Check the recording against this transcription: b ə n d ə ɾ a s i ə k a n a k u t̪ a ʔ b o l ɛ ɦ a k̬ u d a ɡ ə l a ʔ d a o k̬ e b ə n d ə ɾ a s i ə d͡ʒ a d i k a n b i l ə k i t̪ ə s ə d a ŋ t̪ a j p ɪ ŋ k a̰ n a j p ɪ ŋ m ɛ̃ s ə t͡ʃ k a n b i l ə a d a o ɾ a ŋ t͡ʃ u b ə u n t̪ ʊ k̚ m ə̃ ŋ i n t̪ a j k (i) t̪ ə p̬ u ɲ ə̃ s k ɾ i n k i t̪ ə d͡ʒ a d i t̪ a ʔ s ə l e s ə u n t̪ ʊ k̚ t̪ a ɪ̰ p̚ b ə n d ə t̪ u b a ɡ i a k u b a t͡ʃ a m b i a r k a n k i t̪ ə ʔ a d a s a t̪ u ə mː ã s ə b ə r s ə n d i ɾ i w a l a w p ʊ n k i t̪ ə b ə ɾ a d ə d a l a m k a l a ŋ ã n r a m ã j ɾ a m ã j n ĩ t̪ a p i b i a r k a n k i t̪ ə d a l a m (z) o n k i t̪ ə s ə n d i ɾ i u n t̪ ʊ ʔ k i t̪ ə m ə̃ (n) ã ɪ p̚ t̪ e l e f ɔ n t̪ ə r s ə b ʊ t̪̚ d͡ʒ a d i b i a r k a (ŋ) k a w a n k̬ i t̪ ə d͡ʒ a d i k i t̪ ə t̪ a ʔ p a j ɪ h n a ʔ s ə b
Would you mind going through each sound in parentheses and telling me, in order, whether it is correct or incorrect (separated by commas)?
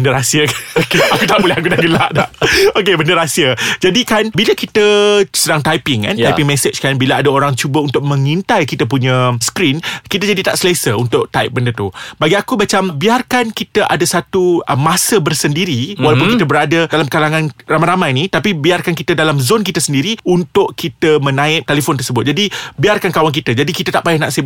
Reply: correct, correct, correct, incorrect